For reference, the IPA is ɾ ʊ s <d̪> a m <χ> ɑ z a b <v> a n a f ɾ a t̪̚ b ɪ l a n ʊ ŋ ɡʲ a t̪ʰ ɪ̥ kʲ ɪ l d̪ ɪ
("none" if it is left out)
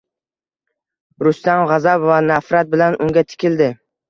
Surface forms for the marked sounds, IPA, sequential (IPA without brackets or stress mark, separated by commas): t̪, ʁ, v